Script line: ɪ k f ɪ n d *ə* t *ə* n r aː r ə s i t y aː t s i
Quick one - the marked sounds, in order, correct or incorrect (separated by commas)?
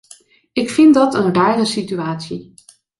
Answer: incorrect, correct